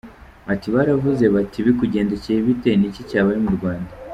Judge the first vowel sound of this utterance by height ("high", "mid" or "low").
low